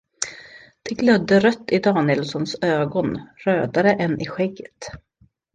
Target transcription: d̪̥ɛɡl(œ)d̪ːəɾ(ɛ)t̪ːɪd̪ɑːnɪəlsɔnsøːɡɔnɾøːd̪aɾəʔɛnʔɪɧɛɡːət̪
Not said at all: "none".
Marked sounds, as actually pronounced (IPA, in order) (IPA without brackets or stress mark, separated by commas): œ, œ